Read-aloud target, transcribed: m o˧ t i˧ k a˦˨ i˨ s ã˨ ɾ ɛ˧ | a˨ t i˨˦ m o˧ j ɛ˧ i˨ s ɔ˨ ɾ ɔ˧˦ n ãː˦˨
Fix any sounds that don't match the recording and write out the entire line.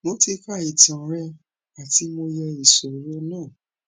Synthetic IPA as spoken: m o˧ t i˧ k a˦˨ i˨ t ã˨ ɾ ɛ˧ | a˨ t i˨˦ m o˧ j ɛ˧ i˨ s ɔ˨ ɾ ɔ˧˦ n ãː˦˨

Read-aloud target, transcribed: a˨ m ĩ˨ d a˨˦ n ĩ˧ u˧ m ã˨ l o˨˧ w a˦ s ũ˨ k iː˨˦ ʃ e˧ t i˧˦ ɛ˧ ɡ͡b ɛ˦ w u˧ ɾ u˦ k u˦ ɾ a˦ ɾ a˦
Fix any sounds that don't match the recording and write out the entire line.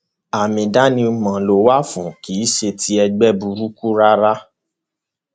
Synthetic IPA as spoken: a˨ m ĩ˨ d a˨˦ n ĩ˧ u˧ m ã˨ l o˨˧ w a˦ f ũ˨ k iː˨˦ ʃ e˧ t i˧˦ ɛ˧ ɡ͡b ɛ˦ b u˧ ɾ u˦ k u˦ ɾ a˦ ɾ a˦

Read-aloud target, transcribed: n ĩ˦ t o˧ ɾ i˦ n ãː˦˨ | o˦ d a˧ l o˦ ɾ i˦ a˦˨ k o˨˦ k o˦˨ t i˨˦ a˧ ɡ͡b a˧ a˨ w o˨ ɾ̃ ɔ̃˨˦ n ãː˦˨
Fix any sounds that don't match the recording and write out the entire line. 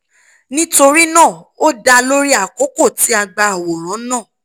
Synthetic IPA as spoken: n ĩ˦ t o˧ ɾ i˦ n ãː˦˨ | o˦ d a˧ l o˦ ɾ i˦ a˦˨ k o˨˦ k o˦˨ t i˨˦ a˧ ɡ͡b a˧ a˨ w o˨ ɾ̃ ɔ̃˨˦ n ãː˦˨

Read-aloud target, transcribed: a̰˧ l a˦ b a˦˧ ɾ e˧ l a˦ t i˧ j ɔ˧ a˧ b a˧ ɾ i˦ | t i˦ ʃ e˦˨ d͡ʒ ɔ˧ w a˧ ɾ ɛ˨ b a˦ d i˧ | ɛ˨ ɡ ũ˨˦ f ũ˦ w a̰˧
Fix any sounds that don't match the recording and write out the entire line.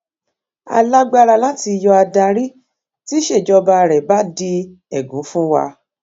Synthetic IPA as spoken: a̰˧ l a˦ ɡ͡b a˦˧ ɾ a˧ l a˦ t i˧ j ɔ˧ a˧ d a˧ ɾ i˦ | t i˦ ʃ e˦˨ d͡ʒ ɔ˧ b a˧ ɾ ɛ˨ b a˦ d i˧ | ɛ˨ ɡ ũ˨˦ f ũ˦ w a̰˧

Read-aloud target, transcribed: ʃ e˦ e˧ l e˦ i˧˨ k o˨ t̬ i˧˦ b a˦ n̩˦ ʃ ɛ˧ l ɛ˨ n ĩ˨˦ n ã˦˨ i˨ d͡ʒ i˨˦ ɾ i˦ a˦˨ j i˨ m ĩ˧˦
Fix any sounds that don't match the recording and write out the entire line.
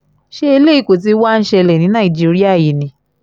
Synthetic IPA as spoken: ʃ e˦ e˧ l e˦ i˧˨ k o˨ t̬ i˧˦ w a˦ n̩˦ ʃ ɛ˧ l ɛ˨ n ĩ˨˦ n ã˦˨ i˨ d͡ʒ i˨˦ ɾ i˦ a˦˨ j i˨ n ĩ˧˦

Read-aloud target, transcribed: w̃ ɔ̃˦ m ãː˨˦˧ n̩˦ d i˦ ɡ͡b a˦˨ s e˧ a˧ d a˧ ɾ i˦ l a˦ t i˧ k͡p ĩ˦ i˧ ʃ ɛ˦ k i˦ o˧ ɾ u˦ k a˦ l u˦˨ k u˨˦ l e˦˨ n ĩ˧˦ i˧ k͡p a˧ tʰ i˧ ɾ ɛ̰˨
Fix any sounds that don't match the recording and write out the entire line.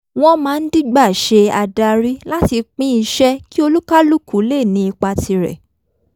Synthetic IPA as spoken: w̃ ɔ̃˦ m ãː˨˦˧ n̩˦ d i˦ ɡ͡b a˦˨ ʃ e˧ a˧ d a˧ ɾ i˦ l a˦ t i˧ k͡p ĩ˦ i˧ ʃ ɛ˦ k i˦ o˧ l u˦ k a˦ l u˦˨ k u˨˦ l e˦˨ n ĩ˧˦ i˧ k͡p a˧ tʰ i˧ ɾ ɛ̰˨

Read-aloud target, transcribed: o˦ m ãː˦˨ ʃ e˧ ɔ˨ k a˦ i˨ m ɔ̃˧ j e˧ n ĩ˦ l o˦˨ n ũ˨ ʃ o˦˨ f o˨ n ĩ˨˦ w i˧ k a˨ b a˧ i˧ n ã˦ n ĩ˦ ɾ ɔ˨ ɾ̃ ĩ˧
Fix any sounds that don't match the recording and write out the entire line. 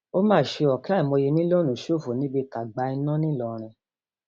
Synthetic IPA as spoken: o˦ m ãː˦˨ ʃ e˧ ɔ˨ k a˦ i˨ m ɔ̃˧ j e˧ n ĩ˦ l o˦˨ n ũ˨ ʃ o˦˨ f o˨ n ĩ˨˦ b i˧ k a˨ ɡ͡b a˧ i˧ n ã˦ n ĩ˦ l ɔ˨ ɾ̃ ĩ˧

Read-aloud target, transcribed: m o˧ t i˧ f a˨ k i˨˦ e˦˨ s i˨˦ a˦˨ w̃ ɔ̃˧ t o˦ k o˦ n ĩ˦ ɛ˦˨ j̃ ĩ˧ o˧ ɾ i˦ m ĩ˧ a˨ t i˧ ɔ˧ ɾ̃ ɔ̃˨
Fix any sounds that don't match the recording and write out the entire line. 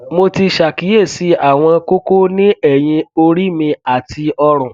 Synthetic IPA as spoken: m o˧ t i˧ ʃ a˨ k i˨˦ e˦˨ s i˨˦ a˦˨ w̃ ɔ̃˧ k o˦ k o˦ n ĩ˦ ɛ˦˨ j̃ ĩ˧ o˧ ɾ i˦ m ĩ˧ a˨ t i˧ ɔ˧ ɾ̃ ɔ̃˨

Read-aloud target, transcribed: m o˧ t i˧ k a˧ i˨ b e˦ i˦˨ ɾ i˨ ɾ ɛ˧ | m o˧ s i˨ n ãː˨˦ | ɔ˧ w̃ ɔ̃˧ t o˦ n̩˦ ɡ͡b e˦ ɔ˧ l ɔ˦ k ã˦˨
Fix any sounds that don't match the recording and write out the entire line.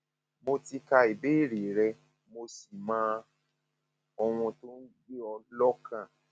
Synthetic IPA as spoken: m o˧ t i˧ k a˧ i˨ b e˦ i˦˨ ɾ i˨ ɾ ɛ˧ | m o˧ s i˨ m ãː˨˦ | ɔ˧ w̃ ɔ̃˧ t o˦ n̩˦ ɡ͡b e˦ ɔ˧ l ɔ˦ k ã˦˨

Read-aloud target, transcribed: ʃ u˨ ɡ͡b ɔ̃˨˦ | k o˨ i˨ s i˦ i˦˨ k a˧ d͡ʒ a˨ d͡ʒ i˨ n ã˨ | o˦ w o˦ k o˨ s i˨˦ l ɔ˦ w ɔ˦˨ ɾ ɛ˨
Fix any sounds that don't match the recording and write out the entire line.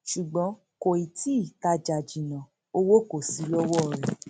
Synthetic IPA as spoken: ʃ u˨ ɡ͡b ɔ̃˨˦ | k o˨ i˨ t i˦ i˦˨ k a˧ d͡ʒ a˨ d͡ʒ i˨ n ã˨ | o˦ w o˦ k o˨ s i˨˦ l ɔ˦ w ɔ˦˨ ɾ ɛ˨

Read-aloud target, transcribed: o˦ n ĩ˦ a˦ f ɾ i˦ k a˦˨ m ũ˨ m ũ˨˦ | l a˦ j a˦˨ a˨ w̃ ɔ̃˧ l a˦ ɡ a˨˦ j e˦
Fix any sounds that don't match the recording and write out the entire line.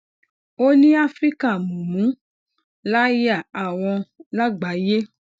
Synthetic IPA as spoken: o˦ n ĩ˦ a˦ f ɾ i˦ k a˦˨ m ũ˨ m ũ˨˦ | l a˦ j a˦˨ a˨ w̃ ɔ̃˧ l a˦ ɡ͡b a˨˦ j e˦

